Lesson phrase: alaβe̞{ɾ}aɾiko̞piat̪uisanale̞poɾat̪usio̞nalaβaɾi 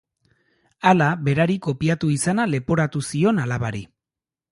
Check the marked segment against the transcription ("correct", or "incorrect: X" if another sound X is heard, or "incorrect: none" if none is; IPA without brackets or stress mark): correct